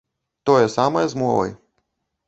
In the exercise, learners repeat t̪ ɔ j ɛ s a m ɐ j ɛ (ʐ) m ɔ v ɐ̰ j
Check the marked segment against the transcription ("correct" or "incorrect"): incorrect